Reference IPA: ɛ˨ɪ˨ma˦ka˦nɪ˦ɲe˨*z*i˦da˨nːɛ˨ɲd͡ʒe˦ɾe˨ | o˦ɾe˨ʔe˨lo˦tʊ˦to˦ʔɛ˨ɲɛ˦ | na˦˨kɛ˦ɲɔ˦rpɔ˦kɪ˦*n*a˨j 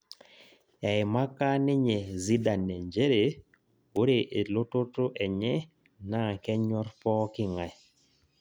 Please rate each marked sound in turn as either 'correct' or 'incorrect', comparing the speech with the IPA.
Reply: correct, incorrect

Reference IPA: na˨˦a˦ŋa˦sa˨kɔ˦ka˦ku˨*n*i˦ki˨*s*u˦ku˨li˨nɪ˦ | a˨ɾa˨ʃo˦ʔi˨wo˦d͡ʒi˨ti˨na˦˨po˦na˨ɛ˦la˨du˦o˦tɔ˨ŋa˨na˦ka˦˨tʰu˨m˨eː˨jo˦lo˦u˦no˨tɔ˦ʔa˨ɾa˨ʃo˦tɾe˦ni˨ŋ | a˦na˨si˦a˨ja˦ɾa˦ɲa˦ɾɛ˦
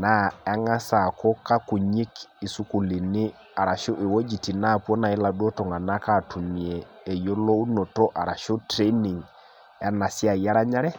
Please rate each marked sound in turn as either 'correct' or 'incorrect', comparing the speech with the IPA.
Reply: incorrect, correct

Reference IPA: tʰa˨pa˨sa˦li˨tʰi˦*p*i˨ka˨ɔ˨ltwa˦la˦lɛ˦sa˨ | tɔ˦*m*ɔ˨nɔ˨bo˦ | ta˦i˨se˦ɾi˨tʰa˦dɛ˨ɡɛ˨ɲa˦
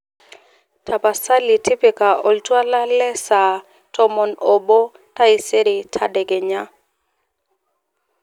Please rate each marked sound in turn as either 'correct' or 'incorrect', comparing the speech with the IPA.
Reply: correct, correct

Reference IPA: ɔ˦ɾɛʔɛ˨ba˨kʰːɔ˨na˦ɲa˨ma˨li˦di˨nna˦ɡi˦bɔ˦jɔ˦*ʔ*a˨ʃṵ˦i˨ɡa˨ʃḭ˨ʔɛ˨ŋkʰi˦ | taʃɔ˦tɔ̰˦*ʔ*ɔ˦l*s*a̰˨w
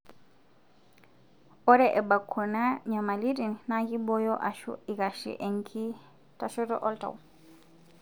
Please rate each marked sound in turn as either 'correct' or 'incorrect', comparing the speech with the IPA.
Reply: correct, correct, incorrect

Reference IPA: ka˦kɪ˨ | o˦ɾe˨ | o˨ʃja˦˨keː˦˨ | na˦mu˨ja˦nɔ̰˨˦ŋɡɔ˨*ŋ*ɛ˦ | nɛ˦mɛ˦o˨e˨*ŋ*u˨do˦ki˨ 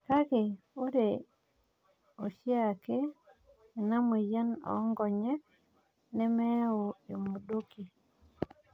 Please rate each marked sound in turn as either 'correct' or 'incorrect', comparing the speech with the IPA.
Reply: incorrect, incorrect

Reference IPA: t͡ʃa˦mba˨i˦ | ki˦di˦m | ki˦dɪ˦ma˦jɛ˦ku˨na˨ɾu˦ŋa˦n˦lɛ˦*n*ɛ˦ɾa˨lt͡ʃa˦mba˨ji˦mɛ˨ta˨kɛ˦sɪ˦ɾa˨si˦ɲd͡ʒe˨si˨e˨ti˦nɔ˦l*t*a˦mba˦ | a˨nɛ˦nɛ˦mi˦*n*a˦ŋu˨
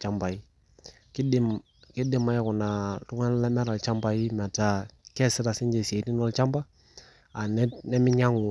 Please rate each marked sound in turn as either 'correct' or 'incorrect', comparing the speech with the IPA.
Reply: incorrect, incorrect, incorrect

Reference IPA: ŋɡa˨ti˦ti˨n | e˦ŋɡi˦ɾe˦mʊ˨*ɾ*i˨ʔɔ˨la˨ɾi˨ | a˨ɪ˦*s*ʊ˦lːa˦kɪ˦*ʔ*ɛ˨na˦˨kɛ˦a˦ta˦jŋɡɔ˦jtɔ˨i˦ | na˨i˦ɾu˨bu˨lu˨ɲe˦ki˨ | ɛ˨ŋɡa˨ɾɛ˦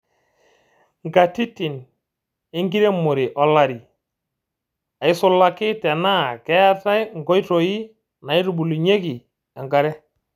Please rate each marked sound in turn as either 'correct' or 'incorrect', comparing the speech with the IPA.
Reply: correct, correct, incorrect

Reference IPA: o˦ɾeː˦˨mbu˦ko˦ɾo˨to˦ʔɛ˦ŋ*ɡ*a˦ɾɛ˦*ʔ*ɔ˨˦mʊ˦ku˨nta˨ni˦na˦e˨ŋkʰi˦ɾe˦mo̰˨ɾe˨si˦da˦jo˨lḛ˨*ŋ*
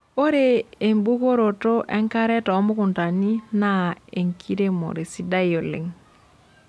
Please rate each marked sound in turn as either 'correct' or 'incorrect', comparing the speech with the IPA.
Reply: incorrect, incorrect, correct

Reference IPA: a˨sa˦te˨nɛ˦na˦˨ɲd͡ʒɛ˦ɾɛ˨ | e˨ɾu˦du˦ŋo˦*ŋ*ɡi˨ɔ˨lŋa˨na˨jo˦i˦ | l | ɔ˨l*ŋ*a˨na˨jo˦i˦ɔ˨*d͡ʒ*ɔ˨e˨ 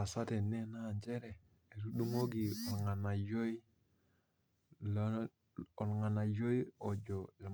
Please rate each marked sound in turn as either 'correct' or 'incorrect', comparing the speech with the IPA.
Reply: incorrect, correct, correct

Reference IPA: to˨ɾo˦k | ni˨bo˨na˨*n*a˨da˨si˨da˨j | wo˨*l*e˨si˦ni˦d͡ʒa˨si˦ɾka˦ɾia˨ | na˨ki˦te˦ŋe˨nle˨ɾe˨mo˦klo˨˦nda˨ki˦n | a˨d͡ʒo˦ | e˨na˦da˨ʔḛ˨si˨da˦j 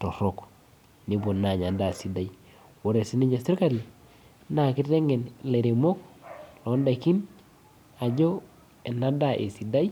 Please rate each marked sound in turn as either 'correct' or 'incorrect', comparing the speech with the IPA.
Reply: incorrect, incorrect

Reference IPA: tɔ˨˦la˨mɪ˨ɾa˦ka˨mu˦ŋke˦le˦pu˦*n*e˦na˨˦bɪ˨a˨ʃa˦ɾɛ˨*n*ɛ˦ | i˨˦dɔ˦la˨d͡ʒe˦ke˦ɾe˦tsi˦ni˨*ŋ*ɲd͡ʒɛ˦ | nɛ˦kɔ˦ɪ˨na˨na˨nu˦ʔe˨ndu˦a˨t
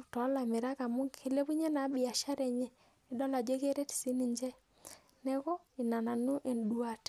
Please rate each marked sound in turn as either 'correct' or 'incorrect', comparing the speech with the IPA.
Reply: incorrect, incorrect, incorrect

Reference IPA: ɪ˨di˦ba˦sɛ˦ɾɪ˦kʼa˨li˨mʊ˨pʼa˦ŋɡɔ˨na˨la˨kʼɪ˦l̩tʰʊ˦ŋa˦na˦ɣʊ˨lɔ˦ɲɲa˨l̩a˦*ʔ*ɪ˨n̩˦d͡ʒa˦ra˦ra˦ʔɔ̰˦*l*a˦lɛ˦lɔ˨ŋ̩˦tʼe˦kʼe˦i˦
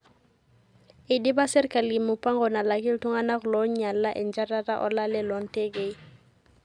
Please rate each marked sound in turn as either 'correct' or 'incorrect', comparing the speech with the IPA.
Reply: correct, correct

